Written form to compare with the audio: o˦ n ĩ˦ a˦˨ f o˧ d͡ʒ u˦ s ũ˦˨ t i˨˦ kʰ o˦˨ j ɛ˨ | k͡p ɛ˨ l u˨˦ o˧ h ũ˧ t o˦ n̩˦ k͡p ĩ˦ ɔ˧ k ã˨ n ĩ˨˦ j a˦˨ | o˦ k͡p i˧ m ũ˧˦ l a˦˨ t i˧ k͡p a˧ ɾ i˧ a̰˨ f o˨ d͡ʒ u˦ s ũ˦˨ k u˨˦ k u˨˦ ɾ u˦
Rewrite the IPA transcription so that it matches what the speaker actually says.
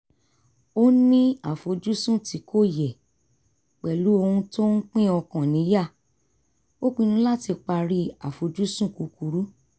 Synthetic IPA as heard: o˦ n ĩ˦ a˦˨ f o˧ d͡ʒ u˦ s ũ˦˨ t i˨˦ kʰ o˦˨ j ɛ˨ | k͡p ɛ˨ l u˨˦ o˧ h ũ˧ t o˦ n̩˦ k͡p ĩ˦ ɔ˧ k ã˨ n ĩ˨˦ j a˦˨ | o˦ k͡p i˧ n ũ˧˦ l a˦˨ t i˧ k͡p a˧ ɾ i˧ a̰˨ f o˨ d͡ʒ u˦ s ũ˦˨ k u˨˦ k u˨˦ ɾ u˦